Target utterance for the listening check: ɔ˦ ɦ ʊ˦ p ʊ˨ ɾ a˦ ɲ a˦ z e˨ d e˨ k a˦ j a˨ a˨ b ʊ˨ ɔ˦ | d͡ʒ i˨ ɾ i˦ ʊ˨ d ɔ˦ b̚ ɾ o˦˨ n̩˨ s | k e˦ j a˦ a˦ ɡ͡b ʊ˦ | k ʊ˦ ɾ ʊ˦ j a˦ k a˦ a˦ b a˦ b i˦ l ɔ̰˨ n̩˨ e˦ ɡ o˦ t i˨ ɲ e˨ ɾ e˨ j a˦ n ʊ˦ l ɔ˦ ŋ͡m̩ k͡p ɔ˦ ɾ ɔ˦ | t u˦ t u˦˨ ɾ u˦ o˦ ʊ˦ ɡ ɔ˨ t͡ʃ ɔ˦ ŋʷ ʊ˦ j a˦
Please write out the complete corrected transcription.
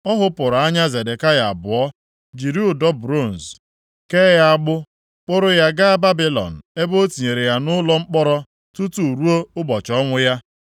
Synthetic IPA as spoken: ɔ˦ ɦ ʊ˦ p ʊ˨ ɾ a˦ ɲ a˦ z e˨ d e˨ k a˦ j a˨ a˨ b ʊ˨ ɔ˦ | d͡ʒ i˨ ɾ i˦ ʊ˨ d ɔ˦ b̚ ɾ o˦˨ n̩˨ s | k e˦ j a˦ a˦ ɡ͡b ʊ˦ | k͡p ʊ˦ ɾ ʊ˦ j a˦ ɡ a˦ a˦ b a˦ b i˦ l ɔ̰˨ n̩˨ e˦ b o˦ t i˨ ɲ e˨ ɾ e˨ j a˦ n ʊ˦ l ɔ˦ ŋ͡m̩ k͡p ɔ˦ ɾ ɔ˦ | t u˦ t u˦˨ ɾ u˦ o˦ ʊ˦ b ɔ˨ t͡ʃ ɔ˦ ŋʷ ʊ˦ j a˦

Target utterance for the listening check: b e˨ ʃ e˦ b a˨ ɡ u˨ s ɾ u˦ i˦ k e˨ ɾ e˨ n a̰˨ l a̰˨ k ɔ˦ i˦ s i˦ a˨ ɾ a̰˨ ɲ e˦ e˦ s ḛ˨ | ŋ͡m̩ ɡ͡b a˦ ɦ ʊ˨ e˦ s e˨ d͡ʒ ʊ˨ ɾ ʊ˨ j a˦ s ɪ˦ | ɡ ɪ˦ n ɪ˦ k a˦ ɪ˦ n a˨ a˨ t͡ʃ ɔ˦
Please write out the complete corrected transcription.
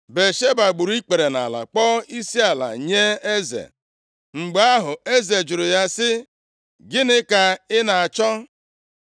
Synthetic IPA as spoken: b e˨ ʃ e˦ b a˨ ɡ͡b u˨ ɾ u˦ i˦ k͡p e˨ ɾ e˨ n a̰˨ l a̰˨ k͡p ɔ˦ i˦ s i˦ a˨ l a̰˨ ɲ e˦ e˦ z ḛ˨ | ŋ͡m̩ ɡ͡b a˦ ɦ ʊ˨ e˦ z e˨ d͡ʒ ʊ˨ ɾ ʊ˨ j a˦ s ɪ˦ | ɡ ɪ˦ n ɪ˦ k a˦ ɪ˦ n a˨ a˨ t͡ʃ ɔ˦

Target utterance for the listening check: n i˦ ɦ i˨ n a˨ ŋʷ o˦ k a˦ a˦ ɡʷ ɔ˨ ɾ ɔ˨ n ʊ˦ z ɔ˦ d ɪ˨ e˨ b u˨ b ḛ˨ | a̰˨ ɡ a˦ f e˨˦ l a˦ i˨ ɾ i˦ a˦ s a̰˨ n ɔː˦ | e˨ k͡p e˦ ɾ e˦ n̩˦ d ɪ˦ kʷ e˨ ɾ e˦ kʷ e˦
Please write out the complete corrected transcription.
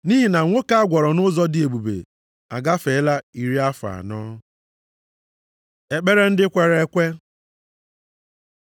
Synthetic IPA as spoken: n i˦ ɦ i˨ n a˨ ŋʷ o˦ k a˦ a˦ ɡʷ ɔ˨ ɾ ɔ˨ n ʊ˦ z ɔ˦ d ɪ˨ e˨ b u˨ b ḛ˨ | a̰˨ ɡ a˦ f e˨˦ l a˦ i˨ ɾ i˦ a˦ f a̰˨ n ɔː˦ | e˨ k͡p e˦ ɾ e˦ n̩˦ d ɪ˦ kʷ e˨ ɾ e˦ kʷ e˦

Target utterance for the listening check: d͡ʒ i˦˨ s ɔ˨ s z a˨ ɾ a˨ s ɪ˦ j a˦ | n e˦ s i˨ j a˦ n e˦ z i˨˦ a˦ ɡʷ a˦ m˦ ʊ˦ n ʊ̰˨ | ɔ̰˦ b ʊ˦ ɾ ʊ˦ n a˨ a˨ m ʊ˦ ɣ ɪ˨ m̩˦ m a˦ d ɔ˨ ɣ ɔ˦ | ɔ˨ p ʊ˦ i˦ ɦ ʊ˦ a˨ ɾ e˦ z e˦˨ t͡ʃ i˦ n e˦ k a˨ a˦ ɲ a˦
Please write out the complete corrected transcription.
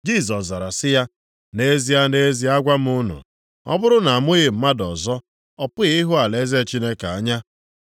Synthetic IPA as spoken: d͡ʒ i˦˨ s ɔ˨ s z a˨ ɾ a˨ s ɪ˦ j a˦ | n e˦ z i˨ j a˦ n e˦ z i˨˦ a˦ ɡʷ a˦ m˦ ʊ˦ n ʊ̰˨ | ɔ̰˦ b ʊ˦ ɾ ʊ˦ n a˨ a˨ m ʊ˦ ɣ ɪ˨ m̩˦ m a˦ d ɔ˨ z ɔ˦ | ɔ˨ p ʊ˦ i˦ ɦ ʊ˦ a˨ l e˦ z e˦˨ t͡ʃ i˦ n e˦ k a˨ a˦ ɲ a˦

